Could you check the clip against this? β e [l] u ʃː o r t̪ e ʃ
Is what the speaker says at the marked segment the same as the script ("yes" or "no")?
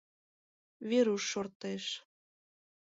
no